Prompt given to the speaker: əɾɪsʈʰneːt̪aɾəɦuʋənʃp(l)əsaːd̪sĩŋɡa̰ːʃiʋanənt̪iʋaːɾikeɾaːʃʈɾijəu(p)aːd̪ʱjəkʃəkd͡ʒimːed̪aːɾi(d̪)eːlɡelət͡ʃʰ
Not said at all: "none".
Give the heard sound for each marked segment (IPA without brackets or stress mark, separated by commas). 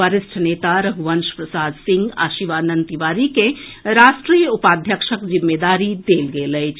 ɾ, p, d̪